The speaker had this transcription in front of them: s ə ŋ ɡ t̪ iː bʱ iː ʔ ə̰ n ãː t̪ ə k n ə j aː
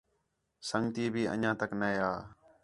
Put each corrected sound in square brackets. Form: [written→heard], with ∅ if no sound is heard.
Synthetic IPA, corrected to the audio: s ə ŋ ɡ t̪ iː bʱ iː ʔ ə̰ [n→ɲ] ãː t̪ ə k n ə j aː